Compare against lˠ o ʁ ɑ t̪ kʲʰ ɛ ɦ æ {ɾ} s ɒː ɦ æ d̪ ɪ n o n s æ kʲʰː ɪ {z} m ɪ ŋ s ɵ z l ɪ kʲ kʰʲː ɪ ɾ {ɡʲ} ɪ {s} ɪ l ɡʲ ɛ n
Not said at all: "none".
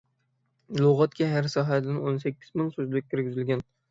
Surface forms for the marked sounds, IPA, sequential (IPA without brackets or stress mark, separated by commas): ɾ, z, ɡʲ, z